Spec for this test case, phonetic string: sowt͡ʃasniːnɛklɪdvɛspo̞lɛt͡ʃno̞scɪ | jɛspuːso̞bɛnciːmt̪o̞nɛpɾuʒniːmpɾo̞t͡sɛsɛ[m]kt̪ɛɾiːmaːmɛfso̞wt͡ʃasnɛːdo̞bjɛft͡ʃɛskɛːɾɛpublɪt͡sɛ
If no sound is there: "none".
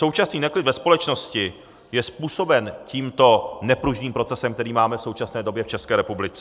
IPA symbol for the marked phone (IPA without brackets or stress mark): m